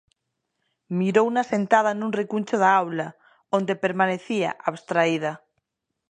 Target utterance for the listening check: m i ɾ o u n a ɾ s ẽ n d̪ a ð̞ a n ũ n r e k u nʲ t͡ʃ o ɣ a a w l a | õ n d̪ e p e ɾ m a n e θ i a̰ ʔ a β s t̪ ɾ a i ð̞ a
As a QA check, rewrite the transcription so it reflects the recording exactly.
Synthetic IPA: m i ɾ o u n a s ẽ n t̪ a ð̞ a n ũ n r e k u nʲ t͡ʃ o ð a a w l a | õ n d̪ e p e ɾ m a n e θ i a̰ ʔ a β s t̪ ɾ a i ð̞ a